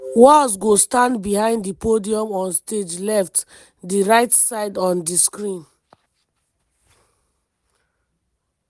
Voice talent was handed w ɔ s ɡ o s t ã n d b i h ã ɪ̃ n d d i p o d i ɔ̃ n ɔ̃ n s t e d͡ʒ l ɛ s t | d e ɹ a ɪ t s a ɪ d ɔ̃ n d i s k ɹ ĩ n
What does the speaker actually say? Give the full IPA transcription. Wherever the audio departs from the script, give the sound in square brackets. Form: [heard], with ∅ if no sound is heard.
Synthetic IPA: w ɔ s ɡ o s t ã n d b i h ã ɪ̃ n d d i p o d i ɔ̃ [m] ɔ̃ n s t e d͡ʒ l ɛ [f] t | d [i] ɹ a ɪ t s a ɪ d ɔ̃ n d i s k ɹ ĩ n